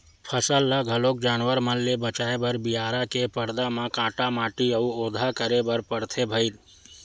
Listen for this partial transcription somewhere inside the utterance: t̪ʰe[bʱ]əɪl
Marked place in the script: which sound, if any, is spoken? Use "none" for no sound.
bʱ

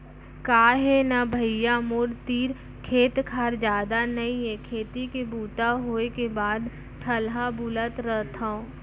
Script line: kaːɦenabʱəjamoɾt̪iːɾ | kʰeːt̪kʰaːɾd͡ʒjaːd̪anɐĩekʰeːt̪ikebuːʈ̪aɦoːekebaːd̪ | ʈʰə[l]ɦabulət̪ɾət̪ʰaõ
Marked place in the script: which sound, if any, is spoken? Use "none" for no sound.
l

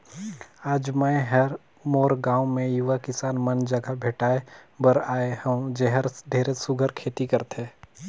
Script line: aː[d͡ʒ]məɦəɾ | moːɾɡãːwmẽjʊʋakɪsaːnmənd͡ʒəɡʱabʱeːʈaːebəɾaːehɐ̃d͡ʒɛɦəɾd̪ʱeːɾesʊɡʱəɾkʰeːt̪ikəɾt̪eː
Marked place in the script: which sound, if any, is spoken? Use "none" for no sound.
d͡ʒ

